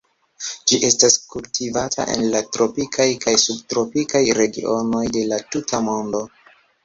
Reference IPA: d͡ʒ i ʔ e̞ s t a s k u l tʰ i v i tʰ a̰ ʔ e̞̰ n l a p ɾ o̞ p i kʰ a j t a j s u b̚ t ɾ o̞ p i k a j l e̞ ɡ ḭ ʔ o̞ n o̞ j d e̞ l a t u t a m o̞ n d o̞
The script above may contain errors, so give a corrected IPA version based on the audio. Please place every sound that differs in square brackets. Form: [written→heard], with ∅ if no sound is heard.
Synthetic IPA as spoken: d͡ʒ i ʔ e̞ s t a s k u l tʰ i v [i→a] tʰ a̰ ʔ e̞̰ n l a [p→t] ɾ o̞ p i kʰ a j [t→k] a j s u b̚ t ɾ o̞ p i k a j [l→ɾ] e̞ ɡ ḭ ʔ o̞ n o̞ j d e̞ l a t u t a m o̞ n d o̞